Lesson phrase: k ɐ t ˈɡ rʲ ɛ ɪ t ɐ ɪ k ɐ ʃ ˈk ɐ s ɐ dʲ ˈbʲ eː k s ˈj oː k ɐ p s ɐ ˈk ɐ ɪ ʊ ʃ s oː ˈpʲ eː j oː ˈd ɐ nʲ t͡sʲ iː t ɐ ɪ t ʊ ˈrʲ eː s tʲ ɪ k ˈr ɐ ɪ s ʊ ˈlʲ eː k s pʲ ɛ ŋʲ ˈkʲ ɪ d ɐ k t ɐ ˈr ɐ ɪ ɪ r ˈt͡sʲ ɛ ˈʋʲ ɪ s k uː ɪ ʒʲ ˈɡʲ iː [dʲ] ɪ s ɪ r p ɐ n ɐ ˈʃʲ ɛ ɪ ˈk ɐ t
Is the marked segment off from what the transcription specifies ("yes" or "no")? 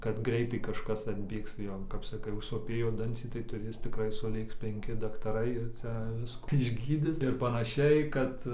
no